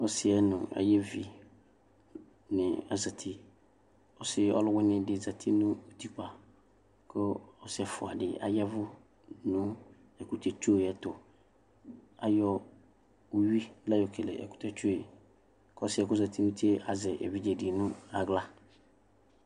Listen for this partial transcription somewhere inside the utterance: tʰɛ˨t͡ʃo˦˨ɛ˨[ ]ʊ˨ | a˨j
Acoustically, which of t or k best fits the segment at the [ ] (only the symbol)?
t